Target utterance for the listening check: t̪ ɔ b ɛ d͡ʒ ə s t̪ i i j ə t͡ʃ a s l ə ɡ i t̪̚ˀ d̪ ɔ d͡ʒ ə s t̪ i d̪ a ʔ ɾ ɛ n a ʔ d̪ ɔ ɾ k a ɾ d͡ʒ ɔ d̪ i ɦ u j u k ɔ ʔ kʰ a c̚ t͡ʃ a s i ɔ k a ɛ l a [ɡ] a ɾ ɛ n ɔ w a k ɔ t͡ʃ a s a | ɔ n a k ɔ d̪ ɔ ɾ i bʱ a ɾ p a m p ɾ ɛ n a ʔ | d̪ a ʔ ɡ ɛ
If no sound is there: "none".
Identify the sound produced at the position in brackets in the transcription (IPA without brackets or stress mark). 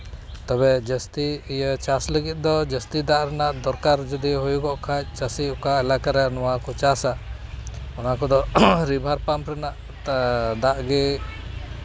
k